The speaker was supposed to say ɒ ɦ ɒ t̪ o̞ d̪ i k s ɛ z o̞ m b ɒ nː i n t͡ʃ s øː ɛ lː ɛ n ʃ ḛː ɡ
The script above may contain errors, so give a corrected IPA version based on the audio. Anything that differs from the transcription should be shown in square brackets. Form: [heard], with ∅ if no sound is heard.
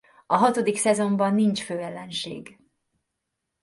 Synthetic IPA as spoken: ɒ ɦ ɒ t̪ o̞ d̪ i k s ɛ z o̞ m b ɒ nː i n t͡ʃ [f] øː ɛ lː ɛ n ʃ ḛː ɡ